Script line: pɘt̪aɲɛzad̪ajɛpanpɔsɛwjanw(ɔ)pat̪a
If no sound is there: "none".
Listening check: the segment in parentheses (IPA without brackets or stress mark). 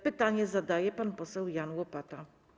ɔ